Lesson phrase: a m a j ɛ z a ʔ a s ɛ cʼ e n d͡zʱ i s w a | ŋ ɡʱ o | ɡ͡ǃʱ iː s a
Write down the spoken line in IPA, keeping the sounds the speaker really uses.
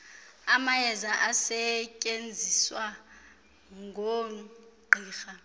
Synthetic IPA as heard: a m a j ɛ z a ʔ a s ɛ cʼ e n d͡zʱ i s w a | ŋ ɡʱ o | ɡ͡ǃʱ iː x a